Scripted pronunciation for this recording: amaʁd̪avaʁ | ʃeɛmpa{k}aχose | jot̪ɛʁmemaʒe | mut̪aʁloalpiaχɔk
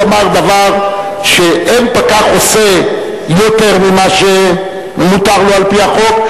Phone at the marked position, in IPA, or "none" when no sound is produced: k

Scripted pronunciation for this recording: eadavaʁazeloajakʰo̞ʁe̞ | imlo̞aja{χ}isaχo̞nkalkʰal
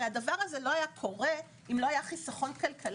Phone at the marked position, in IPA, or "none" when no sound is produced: χ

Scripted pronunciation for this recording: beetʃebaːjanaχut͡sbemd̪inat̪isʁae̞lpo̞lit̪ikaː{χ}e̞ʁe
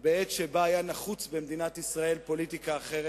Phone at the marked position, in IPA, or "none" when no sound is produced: χ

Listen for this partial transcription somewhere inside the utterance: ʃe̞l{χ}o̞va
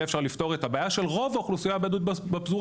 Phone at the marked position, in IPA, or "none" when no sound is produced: ʁ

